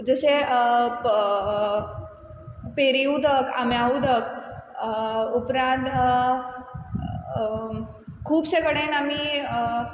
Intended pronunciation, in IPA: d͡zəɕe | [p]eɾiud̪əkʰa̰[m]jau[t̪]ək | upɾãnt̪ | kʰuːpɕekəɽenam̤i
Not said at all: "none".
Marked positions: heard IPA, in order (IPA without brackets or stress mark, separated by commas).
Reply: p, m, d̪